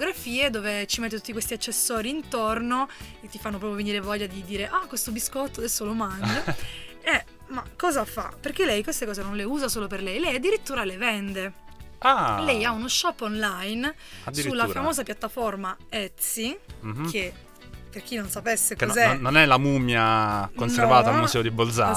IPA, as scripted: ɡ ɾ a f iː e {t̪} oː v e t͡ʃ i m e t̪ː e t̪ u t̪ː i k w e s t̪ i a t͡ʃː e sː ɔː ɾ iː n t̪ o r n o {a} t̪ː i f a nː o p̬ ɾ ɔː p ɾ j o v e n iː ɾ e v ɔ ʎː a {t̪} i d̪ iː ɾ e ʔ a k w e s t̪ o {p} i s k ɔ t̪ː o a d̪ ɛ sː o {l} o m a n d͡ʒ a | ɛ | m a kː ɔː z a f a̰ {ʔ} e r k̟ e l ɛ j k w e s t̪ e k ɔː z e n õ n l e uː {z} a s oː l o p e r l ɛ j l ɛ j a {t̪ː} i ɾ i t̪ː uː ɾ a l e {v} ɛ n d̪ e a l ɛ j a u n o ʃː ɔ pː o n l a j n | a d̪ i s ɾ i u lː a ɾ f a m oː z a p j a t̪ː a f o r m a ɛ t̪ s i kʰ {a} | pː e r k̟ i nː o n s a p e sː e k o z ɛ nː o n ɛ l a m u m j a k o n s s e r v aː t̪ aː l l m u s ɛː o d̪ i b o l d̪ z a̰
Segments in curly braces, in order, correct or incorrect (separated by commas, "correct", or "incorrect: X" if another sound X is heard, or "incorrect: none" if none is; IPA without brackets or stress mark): incorrect: d̪, incorrect: e, incorrect: d̪, incorrect: b, correct, incorrect: p, correct, incorrect: d̪ː, correct, incorrect: e